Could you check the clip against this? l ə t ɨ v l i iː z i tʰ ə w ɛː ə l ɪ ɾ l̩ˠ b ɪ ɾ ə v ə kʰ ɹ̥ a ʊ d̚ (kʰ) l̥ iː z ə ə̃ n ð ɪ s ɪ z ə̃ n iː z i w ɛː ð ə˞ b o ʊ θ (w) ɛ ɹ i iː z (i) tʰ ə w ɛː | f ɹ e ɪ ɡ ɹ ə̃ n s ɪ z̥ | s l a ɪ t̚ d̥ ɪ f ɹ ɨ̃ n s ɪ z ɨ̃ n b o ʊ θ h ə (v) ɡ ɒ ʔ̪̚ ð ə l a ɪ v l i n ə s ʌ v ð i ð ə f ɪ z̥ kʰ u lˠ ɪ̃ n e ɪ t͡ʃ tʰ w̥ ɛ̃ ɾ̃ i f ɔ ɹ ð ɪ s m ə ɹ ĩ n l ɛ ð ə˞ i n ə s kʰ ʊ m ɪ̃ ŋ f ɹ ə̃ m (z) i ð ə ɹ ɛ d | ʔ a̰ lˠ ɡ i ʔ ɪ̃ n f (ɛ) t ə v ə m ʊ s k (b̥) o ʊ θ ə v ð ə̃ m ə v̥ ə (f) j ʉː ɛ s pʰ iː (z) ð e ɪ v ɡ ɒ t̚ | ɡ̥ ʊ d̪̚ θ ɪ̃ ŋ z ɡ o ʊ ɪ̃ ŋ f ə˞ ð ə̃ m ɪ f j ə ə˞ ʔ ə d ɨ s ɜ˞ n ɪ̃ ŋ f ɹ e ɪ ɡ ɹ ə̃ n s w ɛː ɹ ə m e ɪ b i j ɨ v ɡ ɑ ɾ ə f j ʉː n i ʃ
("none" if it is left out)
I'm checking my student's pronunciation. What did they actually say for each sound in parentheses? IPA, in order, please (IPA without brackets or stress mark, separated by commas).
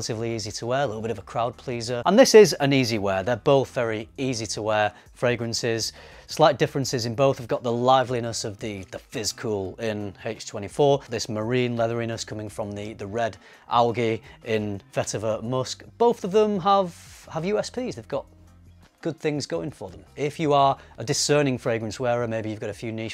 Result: pʰ, v, i, v, ð, ɛ, b̥, v, z